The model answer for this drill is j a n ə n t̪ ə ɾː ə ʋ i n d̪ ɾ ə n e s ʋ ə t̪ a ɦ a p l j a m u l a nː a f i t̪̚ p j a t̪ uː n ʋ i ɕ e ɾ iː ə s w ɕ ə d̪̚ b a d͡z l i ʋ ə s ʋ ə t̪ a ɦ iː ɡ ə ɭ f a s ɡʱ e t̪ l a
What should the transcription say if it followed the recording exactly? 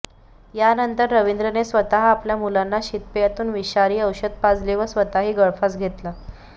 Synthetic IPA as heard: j a n ə n t̪ ə ɾː ə ʋ i n d̪ ɾ ə n e s ʋ ə t̪ a ɦ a p l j a m u l a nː a ɕ i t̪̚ p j a t̪ uː n ʋ i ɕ a ɾ iː ə w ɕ ə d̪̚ p a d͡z l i ʋ ə s ʋ ə t̪ a ɦ iː ɡ ə ɭ f a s ɡʱ e t̪ l a